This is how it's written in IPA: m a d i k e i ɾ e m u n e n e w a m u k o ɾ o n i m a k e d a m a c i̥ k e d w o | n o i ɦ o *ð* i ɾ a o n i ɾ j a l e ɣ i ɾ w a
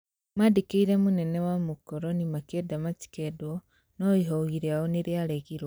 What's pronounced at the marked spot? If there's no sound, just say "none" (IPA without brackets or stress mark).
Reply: ɣ